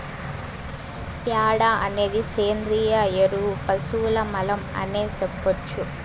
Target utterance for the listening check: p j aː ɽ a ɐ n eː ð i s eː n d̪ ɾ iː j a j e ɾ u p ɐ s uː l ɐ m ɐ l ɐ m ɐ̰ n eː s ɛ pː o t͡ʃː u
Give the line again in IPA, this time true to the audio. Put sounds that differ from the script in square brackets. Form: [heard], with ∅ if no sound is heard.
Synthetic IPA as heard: p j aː ɽ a ɐ n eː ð i s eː n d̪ ɾ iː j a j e ɾ u p ɐ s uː l ɐ m ɐ l ɐ m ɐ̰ n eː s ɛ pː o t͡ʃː u